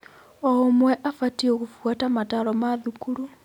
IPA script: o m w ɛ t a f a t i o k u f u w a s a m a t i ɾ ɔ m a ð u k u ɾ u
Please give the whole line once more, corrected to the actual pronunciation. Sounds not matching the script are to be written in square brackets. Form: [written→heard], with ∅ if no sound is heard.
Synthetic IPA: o m w ɛ [t→ʔ] a f a t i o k u f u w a [s→t] a m a t [i→a] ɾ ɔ m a ð u k u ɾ u